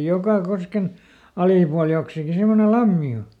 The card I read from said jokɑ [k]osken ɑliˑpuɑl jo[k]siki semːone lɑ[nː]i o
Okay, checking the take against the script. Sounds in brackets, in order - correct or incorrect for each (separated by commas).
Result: correct, correct, incorrect